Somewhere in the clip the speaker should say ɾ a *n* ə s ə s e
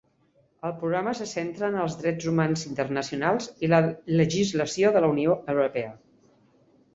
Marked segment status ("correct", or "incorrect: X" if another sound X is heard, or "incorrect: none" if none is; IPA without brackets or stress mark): incorrect: m